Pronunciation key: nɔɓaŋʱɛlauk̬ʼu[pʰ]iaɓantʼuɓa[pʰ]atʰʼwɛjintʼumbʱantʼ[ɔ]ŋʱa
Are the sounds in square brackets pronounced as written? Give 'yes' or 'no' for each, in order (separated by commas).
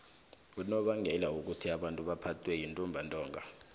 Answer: no, yes, no